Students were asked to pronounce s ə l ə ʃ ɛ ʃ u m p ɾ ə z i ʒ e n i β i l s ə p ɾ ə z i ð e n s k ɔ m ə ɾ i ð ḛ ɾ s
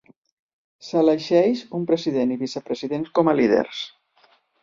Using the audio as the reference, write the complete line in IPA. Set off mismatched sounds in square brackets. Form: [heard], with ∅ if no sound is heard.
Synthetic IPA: s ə l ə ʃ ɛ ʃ u m p ɾ ə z i [ð] e n i β i [∅] s ə p ɾ ə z i ð e n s k ɔ m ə [l] i ð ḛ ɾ s